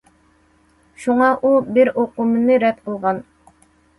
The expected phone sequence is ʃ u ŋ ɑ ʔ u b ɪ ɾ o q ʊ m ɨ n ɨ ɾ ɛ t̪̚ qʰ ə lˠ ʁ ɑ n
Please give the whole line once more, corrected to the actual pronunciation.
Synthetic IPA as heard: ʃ u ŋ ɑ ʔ u b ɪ ɾ o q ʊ m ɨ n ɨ ɾ ɛ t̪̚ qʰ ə lˠ ʁ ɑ n